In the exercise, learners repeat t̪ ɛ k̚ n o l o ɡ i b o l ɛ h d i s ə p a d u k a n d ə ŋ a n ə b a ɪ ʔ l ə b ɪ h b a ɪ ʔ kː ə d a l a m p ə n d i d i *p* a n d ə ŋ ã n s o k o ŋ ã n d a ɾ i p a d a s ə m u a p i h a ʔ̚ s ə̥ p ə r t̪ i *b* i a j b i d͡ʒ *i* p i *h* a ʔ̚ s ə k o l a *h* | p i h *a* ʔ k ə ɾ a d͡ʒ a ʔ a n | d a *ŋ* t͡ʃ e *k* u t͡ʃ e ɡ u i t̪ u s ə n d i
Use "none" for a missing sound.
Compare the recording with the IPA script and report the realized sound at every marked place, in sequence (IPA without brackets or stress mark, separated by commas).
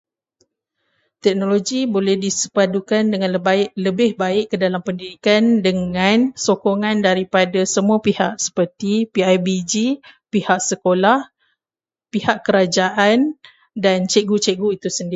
k, p, i, h, h, a, n, ɡ